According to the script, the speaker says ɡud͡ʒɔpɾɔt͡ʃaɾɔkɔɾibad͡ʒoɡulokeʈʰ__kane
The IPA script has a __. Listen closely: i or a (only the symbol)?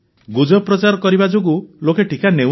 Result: i